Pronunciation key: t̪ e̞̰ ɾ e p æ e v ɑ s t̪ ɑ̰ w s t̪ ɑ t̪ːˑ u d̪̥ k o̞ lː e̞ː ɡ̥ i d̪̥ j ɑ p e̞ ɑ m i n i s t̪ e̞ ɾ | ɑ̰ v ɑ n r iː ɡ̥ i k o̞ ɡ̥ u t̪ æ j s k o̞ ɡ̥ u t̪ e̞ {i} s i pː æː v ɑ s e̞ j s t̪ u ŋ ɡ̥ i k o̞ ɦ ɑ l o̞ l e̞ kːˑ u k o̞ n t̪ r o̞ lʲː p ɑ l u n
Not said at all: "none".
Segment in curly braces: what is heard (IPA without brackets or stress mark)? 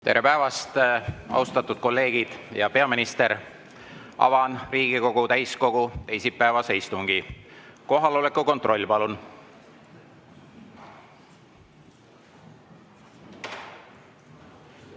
j